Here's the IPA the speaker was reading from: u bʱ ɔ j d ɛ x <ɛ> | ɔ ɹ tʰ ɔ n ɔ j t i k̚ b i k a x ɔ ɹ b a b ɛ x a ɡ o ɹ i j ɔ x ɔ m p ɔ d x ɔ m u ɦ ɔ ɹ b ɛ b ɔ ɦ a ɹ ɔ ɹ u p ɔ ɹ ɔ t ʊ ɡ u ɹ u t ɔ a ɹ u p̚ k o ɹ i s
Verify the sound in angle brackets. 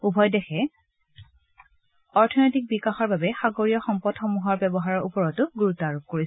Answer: correct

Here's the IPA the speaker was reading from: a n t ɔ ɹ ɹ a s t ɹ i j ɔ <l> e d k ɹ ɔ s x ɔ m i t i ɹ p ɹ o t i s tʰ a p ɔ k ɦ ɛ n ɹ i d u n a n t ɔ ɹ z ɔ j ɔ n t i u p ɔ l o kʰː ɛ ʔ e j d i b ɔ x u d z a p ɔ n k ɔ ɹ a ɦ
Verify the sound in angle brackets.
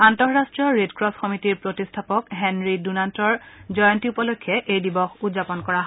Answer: incorrect: ɹ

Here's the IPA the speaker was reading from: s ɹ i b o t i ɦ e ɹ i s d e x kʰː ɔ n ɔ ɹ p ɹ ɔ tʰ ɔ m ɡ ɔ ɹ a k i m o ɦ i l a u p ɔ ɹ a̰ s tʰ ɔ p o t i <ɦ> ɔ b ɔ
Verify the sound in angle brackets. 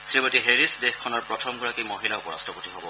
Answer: correct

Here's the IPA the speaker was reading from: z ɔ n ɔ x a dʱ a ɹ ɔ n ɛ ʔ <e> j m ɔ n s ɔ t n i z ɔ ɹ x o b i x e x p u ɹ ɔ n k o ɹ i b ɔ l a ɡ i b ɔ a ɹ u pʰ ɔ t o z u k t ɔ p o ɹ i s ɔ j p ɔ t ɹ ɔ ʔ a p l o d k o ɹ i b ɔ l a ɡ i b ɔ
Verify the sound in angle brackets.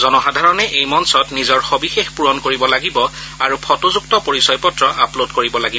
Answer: correct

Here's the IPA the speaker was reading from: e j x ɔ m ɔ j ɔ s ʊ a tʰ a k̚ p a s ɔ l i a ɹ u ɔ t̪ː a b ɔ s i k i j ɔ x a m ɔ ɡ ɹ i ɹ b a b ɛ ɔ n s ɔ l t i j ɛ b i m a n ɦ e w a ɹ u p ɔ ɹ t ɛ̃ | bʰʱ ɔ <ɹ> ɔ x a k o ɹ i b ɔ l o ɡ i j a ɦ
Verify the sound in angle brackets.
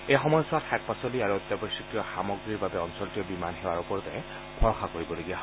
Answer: correct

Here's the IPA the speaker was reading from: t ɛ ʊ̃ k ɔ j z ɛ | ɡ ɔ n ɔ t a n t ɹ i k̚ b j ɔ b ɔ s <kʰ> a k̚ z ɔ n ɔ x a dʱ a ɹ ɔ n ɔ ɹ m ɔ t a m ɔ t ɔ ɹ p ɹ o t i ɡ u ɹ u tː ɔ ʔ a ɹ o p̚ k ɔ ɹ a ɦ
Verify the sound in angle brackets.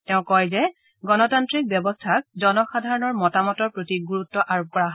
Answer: incorrect: tʰ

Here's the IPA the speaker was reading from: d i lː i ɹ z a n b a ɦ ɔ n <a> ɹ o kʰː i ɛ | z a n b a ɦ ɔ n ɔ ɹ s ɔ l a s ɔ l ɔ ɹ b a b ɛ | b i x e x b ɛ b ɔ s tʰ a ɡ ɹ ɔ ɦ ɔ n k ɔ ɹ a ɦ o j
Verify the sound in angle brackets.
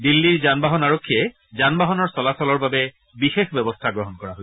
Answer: correct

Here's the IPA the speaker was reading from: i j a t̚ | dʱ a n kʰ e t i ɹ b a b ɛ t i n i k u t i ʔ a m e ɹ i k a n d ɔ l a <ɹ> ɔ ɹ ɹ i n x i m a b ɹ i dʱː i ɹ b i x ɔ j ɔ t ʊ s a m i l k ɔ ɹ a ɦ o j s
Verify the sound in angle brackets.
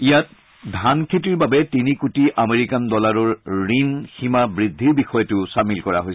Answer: correct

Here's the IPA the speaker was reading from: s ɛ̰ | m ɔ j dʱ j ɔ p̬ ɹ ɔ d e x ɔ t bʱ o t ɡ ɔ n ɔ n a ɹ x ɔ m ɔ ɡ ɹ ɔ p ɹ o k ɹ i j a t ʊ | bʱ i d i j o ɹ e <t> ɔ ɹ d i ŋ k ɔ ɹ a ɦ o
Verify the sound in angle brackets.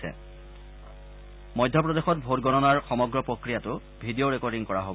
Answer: incorrect: k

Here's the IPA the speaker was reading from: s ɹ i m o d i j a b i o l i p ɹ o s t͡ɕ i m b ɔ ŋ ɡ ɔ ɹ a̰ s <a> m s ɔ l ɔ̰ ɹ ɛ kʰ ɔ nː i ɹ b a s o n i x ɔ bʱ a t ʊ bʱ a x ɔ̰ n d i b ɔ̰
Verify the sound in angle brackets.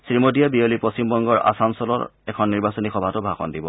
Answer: correct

